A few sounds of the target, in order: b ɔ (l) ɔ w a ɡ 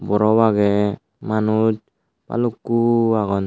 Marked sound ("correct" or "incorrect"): incorrect